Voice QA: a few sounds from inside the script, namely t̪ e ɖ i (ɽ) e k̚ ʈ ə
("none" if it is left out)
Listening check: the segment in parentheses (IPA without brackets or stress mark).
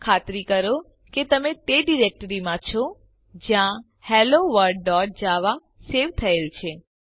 ɾ